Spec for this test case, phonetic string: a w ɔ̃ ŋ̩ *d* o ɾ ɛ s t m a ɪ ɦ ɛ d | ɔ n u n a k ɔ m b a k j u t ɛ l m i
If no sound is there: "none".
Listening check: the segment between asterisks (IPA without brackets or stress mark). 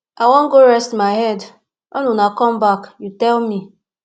ɡ